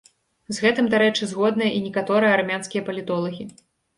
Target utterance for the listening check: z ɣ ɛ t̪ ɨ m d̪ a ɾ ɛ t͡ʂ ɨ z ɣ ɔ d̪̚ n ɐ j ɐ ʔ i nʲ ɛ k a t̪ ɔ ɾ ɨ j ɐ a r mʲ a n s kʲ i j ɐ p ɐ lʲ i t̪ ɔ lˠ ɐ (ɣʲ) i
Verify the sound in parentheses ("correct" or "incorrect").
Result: correct